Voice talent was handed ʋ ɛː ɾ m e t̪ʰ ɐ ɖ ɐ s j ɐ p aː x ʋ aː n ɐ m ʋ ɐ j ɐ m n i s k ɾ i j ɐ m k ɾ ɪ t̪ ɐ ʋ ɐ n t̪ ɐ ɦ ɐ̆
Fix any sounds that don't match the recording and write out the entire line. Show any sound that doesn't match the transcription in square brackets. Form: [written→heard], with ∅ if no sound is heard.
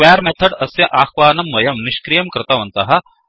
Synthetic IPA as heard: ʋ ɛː ɾ m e t̪ʰ ɐ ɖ ɐ s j ɐ [p→ʔ] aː x ʋ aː n ɐ m ʋ ɐ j ɐ m n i [s→ʃ] k ɾ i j ɐ m k ɾ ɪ t̪ ɐ ʋ ɐ n t̪ ɐ ɦ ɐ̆